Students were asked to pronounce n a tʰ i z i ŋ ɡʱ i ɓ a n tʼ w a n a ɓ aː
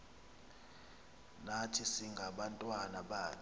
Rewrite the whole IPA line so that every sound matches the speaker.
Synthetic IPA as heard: n a tʰ i s i ŋ ɡʱ a ɓ a n tʼ w a n a ɓ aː